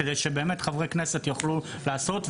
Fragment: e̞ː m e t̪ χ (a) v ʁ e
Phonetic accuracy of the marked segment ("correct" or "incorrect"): correct